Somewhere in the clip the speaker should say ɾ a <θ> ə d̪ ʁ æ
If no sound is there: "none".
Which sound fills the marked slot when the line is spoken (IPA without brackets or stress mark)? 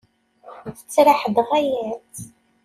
ħ